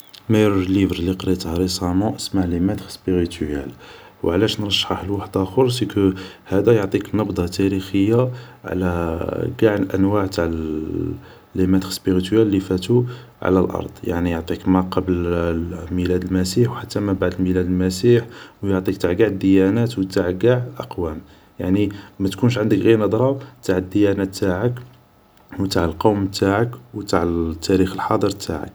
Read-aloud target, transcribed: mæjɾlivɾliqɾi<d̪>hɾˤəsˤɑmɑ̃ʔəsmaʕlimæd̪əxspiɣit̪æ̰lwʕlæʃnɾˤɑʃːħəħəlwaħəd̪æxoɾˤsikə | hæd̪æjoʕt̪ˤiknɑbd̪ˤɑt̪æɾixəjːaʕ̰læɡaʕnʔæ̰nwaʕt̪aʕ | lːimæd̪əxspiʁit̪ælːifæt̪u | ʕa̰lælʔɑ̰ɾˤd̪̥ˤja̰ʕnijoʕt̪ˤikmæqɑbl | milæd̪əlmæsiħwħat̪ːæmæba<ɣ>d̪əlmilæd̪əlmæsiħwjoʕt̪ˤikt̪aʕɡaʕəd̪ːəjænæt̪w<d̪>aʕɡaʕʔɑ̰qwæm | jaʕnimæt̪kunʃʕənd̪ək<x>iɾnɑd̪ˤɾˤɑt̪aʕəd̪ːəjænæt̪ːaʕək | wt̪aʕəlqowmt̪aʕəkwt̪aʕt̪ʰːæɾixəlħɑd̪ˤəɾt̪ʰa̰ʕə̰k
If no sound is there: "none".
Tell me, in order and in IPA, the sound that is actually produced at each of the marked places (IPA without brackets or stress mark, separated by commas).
t̪, ʕ, t̪, ɣ